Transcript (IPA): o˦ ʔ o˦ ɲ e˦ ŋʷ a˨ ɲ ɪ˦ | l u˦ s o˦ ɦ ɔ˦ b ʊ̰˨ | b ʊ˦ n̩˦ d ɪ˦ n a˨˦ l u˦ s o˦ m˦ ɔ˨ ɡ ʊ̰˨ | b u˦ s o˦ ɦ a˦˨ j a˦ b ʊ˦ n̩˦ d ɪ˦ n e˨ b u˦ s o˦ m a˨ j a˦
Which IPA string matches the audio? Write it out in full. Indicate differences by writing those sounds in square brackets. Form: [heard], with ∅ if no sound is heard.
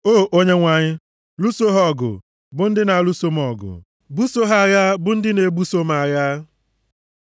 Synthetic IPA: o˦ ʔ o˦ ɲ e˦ ŋʷ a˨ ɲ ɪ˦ | l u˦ s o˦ ɦ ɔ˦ [ɡ] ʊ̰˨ | b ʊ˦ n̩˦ d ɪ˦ n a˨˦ l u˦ s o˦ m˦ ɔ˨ ɡ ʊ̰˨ | b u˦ s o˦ ɦ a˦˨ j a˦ b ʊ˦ n̩˦ d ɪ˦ n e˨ b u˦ s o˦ m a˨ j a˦